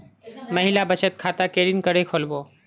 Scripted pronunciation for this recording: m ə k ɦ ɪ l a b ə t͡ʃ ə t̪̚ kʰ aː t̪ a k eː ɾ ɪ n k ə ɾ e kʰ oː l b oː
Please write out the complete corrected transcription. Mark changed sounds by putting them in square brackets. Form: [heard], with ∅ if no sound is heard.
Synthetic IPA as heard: m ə [∅] ɦ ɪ l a b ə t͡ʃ ə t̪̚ kʰ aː t̪ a k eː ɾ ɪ n k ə ɾ e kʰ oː l b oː